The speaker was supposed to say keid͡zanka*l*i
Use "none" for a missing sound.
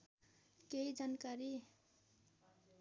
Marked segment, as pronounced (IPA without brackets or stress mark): ɾ